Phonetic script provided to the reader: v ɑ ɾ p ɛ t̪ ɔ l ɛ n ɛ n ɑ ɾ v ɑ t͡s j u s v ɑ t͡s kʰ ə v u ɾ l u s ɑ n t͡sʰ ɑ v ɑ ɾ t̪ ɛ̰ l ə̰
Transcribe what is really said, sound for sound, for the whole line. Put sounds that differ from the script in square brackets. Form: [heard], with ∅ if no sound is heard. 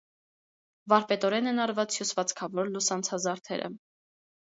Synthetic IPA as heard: v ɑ ɾ p ɛ t̪ ɔ [ɾ] ɛ n ɛ n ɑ ɾ v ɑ t͡s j u s v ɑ t͡s kʰ [ɑ] v [ɔ] ɾ l u s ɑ n t͡sʰ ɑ [z] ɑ ɾ [t̪ʰ] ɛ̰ [ɾ] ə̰